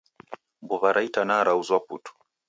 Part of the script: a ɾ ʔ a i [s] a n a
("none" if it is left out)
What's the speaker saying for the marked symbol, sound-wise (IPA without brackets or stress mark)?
t